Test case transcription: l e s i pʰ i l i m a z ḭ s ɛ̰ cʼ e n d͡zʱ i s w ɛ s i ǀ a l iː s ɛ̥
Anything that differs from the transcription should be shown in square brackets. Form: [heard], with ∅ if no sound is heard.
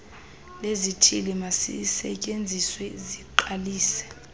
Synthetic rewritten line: l e [z] i [tʰ] i l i m a [s] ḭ s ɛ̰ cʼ e n d͡zʱ i s w ɛ [z] i [ǃ] a l iː s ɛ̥